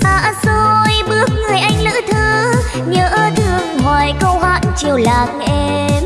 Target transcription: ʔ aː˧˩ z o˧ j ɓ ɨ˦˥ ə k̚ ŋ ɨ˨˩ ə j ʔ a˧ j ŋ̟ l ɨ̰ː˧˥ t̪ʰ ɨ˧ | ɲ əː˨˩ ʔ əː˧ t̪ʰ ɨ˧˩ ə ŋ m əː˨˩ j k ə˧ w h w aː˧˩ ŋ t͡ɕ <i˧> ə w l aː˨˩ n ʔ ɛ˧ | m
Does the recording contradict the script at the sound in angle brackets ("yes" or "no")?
yes